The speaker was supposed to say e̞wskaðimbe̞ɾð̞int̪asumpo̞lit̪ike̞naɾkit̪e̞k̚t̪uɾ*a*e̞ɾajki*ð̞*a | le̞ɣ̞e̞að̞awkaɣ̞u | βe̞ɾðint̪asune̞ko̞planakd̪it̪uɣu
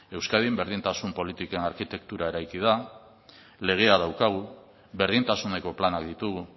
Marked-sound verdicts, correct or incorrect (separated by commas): correct, correct